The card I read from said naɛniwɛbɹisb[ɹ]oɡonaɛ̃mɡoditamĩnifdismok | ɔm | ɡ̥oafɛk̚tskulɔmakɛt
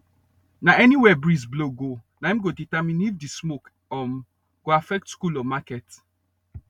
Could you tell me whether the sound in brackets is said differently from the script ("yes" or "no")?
yes